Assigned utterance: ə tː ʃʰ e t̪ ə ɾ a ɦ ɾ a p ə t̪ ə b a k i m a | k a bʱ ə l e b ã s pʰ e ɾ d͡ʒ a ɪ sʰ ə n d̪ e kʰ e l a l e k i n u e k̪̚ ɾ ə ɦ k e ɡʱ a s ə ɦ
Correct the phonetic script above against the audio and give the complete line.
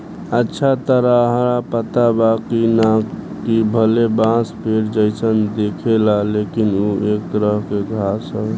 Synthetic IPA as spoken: ə tː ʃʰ a t̪ ə ɾ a ɦ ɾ a p ə t̪ a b a k i n a | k i bʱ ə l e b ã s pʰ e ɾ d͡ʒ ə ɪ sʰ ə n d̪ e kʰ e l a l e k i n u e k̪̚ ɾ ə ɦ k e ɡʱ a s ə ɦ